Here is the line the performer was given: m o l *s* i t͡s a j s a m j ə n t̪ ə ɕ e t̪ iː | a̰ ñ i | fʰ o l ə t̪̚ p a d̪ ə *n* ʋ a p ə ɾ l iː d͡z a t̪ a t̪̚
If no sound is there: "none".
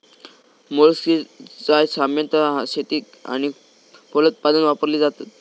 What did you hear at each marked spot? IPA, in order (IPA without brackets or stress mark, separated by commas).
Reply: s, n